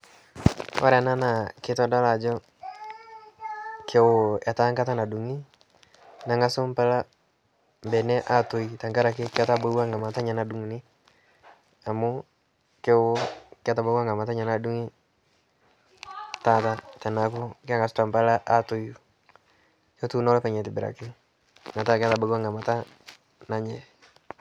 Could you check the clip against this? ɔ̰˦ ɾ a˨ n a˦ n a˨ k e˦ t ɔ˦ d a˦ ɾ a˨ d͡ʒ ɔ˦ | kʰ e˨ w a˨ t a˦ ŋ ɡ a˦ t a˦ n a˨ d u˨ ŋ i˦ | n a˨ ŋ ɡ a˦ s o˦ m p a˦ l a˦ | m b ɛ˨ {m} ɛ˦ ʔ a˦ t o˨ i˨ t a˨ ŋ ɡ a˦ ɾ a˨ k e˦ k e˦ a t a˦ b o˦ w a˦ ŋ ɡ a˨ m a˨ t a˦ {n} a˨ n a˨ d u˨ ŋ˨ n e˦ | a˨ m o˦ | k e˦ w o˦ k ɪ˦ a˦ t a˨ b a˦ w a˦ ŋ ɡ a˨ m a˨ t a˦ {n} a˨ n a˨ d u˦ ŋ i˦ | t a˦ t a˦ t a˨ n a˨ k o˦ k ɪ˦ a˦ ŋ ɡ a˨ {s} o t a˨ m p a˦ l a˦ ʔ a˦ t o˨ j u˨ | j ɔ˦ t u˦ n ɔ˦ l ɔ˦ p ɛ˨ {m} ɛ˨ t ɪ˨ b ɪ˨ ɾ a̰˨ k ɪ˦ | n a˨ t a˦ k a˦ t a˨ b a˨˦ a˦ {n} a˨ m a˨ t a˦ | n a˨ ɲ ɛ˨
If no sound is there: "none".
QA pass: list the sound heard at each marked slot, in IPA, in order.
n, ɲ, ɲ, s, ɲ, ŋ

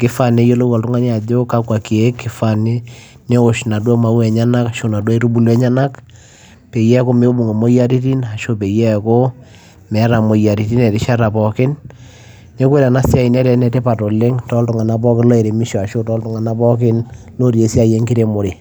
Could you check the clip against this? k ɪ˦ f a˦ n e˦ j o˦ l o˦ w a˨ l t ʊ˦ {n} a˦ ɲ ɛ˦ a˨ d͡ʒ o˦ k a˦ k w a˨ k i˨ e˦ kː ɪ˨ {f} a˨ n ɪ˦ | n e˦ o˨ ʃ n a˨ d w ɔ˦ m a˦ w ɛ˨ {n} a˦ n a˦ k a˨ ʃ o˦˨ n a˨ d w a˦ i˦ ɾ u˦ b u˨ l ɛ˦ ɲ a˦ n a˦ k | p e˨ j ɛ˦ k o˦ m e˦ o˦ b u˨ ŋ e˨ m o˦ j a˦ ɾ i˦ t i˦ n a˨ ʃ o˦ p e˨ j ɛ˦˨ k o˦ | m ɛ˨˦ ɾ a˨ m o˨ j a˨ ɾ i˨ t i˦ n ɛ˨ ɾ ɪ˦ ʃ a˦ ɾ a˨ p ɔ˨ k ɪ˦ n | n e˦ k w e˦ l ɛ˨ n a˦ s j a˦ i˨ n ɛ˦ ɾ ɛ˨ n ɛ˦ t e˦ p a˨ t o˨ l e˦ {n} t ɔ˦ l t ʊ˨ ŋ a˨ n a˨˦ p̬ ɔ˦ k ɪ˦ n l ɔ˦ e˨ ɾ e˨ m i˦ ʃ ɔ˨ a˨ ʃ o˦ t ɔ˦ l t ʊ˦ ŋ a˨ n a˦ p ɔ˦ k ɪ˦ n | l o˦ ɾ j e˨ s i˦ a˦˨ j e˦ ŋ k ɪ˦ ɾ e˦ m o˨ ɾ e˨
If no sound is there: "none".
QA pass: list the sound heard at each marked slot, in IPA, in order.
ŋ, f, ɲ, ŋ

